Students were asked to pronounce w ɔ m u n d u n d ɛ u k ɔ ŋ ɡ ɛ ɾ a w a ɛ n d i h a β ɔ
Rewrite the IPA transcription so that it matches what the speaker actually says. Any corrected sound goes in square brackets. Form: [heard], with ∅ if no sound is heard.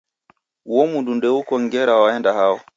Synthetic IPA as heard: w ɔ m u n d u n d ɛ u k ɔ ŋ ɡ ɛ ɾ a w a ɛ n d [a] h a [w] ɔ